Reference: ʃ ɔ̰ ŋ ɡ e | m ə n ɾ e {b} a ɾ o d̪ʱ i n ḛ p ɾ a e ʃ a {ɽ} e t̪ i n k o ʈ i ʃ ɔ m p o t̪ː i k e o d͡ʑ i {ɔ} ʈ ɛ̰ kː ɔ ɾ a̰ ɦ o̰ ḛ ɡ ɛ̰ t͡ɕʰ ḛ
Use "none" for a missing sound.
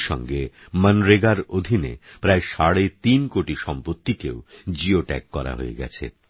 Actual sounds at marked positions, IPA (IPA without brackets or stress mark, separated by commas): ɡ, ɽ, o